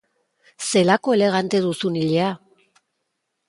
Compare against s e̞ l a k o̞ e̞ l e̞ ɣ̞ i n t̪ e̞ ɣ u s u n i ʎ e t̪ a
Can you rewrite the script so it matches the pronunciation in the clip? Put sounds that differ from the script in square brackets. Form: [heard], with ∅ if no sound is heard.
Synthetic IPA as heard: s e̞ l a k o̞ e̞ l e̞ ɣ̞ [a] n t̪ e̞ [ð] u s u n i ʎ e [∅] a